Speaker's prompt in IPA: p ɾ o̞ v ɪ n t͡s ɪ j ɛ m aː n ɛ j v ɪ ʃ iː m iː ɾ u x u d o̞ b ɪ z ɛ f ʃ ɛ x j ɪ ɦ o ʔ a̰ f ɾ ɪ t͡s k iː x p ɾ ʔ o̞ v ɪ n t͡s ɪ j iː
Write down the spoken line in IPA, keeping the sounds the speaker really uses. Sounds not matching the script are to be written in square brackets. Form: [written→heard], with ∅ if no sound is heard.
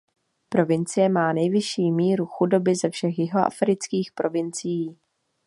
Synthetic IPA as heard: p ɾ o̞ v ɪ n t͡s ɪ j ɛ m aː n ɛ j v ɪ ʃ iː m iː ɾ u x u d o̞ b ɪ z ɛ f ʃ ɛ x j ɪ ɦ o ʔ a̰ f ɾ ɪ t͡s k iː x p ɾ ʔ o̞ v ɪ n t͡s ɪ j iː